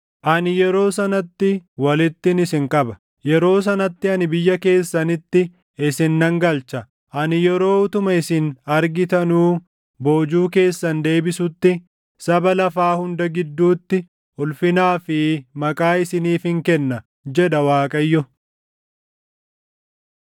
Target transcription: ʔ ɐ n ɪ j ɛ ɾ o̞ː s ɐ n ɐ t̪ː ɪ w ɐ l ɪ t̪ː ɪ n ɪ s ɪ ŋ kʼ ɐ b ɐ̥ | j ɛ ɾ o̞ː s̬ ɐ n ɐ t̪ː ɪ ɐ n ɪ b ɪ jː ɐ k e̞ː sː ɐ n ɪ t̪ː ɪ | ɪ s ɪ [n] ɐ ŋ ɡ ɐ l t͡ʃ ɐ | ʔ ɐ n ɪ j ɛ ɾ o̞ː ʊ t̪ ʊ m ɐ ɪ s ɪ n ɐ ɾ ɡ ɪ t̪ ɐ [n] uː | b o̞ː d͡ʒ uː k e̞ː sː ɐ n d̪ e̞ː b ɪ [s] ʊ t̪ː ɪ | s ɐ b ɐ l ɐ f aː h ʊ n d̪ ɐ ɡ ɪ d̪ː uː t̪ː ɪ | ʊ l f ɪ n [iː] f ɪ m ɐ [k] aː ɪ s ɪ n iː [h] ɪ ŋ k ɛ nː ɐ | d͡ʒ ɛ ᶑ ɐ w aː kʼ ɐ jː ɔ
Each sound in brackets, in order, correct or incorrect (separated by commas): incorrect, correct, correct, incorrect, incorrect, incorrect